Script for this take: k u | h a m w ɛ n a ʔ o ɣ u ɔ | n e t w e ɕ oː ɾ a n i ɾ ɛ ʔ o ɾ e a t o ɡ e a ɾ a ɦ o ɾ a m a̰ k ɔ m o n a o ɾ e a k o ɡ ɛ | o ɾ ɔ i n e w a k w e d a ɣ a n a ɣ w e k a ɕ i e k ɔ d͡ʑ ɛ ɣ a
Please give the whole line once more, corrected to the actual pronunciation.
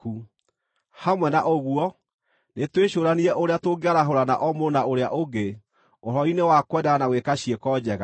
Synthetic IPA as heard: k u | h a m w ɛ n a ʔ o ɣ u ɔ | n e t w e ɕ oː ɾ a n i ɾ ɛ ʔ o ɾ e a t o ɡ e a ɾ a ɦ o ɾ a n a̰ ʔ ɔ m o n a o ɾ e a ʔ o ɡ e | o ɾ ɔ i n e w a k w ɛ d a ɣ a n a ɣ w e k a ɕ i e k ɔ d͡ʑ ɛ ɣ a